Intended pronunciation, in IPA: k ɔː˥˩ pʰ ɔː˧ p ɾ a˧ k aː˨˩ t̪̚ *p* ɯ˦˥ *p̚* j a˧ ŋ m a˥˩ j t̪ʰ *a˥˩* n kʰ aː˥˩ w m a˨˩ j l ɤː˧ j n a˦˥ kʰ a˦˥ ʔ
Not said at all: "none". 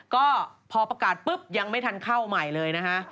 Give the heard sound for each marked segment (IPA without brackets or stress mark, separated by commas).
p, p̚, a˧